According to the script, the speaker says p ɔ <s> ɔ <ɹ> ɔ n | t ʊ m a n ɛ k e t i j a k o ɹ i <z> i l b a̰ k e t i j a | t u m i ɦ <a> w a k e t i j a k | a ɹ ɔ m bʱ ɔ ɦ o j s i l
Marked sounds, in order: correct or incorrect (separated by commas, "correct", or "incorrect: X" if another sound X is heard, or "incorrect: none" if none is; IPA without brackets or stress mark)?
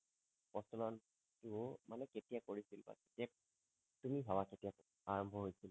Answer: correct, incorrect: l, incorrect: s, correct